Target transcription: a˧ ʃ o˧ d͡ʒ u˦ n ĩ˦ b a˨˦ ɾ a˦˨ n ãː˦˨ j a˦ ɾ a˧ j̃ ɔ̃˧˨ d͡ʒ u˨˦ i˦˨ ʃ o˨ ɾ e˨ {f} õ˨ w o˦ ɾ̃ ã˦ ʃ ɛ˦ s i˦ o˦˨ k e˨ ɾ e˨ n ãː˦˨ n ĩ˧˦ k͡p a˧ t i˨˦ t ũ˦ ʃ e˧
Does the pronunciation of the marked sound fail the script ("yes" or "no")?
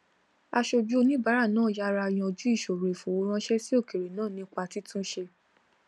no